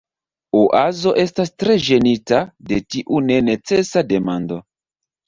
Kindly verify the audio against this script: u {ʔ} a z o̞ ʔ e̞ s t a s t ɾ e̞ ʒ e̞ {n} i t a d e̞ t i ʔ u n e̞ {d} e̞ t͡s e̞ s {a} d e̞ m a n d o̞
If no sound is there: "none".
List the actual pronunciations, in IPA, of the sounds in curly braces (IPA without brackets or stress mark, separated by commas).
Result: ʔ, n, n, a